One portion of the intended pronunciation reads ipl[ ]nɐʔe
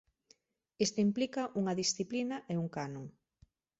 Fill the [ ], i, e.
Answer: i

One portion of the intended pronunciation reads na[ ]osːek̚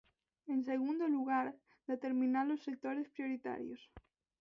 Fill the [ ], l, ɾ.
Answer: l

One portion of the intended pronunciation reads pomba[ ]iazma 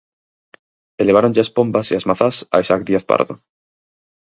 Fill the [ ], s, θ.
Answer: s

